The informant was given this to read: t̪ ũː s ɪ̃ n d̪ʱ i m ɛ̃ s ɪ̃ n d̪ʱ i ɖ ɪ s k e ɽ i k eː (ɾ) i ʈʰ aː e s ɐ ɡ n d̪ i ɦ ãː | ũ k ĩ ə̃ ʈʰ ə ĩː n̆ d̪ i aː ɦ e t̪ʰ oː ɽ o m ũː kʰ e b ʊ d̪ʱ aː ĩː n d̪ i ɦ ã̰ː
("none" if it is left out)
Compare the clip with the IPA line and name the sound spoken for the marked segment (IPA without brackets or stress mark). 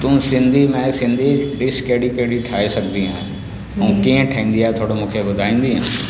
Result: ɽ